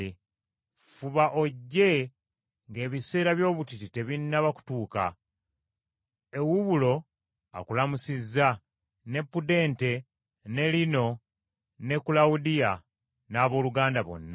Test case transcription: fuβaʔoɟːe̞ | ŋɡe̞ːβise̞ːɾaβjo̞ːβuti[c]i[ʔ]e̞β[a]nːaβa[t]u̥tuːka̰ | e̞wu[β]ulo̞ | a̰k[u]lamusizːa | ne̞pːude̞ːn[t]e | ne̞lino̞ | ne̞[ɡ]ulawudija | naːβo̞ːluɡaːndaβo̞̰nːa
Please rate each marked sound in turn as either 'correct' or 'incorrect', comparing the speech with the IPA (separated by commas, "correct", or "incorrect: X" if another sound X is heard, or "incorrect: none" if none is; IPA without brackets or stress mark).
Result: incorrect: t, incorrect: t, incorrect: i, incorrect: k, correct, correct, correct, incorrect: k